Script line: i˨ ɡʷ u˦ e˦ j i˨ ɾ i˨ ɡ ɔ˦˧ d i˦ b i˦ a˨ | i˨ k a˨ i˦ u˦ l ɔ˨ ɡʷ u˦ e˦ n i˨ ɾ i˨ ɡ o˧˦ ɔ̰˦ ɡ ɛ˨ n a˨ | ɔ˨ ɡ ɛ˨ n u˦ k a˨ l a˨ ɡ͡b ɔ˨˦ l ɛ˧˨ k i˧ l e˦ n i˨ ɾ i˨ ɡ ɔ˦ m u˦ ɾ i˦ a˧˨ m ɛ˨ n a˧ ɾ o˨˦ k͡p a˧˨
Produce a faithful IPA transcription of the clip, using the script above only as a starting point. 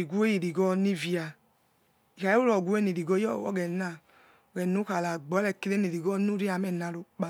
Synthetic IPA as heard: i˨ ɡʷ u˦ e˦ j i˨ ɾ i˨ ɡ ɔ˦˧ n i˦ v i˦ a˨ | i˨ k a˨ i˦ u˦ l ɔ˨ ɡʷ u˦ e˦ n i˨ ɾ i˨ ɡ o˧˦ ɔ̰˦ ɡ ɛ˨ n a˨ | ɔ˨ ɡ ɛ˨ n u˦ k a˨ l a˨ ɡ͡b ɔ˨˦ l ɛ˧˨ k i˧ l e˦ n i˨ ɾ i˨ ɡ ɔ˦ n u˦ ɾ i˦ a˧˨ m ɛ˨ n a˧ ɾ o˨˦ k͡p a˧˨